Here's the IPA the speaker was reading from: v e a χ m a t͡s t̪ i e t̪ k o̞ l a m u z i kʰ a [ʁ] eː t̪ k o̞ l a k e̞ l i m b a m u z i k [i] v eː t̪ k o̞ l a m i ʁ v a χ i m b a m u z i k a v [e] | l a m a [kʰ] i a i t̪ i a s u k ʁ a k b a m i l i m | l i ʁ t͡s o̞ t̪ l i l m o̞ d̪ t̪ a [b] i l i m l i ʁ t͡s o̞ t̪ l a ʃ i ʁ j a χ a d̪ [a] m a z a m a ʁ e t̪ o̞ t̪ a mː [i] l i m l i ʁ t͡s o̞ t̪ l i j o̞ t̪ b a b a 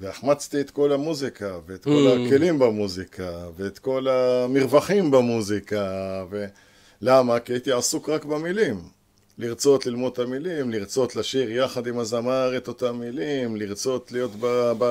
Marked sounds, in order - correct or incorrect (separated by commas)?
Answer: incorrect, incorrect, correct, incorrect, incorrect, incorrect, correct